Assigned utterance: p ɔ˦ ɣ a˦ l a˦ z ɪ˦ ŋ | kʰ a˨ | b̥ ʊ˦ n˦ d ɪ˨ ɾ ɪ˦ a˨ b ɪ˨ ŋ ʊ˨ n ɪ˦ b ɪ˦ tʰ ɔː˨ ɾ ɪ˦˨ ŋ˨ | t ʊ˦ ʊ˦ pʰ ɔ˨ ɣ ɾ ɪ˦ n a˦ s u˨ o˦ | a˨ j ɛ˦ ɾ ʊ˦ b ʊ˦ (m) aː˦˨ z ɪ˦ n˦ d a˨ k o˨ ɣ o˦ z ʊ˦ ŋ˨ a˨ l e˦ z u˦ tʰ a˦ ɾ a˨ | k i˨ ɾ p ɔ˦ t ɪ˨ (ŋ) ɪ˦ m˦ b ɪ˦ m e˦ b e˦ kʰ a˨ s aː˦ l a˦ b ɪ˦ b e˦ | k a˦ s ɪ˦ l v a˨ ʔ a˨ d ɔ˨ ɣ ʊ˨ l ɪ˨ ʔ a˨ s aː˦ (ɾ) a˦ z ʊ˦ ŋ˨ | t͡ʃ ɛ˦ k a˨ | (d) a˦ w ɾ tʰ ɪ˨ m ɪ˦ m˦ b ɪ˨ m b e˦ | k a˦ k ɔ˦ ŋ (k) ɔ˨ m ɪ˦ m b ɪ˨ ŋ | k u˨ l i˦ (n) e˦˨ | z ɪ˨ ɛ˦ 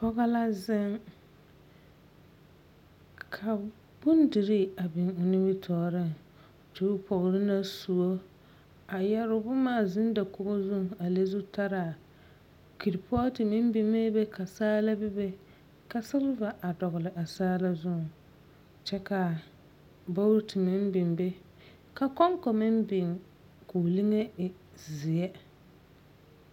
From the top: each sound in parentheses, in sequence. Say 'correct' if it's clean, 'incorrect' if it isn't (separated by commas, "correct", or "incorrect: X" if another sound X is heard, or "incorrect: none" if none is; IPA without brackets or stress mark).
correct, incorrect: m, incorrect: l, incorrect: b, correct, incorrect: ŋ